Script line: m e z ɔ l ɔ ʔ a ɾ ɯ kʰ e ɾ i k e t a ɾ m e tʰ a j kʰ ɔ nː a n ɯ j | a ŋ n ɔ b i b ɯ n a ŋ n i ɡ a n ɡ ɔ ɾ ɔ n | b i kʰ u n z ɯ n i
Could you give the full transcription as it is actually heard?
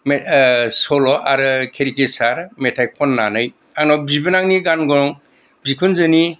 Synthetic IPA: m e s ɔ l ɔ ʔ a ɾ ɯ kʰ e ɾ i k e s a ɾ m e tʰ a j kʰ ɔ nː a n ɯ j | a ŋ n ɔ b i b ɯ n a ŋ n i ɡ a n ɡ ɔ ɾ ɔ ŋ | b i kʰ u n z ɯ n i